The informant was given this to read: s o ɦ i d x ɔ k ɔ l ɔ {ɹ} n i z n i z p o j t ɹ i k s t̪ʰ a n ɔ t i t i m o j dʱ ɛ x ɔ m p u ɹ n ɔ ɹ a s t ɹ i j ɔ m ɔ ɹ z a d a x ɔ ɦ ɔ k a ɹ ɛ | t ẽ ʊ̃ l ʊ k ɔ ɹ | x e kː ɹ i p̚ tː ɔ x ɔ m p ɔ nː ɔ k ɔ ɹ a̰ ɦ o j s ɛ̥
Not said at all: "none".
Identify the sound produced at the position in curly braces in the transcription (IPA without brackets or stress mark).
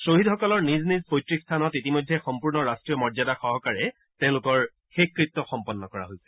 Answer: ɹ